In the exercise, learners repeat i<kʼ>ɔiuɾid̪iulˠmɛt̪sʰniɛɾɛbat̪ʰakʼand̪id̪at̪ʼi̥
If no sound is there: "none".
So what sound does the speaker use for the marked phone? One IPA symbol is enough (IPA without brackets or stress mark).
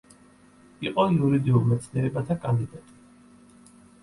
qʼ